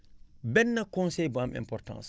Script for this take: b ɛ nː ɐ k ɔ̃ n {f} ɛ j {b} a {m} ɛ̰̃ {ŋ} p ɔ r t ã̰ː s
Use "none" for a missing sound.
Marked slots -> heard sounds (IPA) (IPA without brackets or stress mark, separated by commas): s, b, m, m